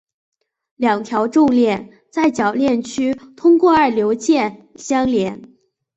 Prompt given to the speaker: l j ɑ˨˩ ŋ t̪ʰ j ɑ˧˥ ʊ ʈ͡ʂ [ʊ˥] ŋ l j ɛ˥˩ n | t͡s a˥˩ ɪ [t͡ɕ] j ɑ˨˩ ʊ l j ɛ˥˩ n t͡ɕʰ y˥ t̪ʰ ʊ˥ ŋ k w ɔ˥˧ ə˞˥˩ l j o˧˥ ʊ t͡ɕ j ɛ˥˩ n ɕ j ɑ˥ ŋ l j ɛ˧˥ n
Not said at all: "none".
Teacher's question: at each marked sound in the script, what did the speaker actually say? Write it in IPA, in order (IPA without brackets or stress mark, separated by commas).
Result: ʊ˥˧, t͡ɕ